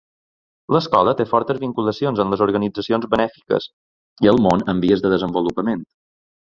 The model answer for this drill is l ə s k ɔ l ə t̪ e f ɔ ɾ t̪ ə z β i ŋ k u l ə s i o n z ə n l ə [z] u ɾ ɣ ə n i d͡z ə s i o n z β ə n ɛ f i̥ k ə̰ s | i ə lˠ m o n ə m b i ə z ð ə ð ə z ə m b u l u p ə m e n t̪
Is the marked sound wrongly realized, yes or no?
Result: no